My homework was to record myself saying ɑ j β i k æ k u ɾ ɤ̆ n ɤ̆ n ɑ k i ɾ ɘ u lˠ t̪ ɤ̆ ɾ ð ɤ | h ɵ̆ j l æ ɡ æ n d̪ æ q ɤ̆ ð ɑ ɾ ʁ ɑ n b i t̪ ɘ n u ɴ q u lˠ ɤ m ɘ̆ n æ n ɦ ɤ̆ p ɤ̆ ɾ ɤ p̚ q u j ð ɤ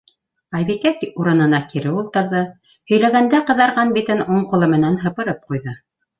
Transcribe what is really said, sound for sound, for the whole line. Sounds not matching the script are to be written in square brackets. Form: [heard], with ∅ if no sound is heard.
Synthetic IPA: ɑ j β i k æ k u ɾ ɤ̆ n ɤ̆ n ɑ k i ɾ ɘ u lˠ t̪ ɤ̆ ɾ ð ɤ | h ɵ̆ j l æ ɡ æ n d̪ æ q ɤ̆ ð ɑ ɾ ʁ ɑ n b i t̪ ɘ n u ɴ q u lˠ ɤ m ɘ̆ n æ n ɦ ɤ̆ p ɤ̆ ɾ ɤ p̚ q u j ð ɤ